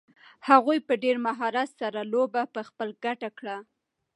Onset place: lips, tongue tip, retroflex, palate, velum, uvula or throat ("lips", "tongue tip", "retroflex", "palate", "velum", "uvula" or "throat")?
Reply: throat